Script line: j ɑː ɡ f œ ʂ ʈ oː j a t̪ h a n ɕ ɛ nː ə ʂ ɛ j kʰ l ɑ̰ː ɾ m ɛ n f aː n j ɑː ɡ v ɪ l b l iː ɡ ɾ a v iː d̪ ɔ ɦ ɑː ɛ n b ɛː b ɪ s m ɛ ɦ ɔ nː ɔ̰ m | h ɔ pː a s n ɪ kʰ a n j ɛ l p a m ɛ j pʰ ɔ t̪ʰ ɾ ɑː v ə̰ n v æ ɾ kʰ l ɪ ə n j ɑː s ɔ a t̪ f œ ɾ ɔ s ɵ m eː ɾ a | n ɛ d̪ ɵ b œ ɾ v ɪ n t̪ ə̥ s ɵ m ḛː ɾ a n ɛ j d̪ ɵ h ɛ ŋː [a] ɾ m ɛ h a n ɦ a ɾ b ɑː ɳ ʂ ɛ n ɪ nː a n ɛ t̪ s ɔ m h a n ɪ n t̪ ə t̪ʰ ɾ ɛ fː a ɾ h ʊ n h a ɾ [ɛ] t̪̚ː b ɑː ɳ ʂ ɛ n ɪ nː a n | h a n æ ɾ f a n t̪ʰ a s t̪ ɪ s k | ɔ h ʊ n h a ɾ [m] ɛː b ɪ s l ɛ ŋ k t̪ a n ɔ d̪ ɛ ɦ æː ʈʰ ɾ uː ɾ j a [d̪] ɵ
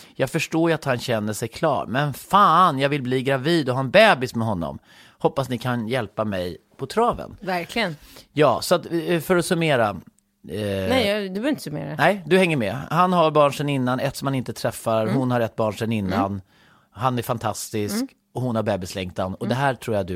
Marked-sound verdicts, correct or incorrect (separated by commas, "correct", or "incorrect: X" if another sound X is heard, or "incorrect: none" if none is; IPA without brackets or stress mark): incorrect: ə, correct, incorrect: b, correct